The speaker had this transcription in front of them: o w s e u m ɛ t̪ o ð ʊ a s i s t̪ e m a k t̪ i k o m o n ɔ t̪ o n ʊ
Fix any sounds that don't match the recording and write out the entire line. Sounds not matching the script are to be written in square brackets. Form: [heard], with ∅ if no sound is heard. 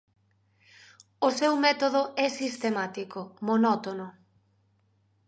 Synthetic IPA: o [∅] s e [w] m ɛ t̪ o ð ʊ [ɛ] s i s t̪ e m a [∅] t̪ i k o m o n ɔ t̪ o n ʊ

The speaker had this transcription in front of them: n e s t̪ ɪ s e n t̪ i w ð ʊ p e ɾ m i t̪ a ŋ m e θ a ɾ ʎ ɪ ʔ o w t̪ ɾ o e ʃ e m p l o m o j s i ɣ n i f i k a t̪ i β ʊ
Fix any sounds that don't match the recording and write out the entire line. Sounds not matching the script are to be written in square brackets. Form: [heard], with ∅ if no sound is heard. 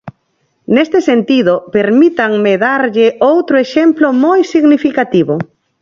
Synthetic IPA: n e s t̪ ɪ s e n t̪ i [∅] ð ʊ p e ɾ m i t̪ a ŋ m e [ð] a ɾ ʎ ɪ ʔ o w t̪ ɾ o e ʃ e m p l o m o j s i ɣ n i f i k a t̪ i β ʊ

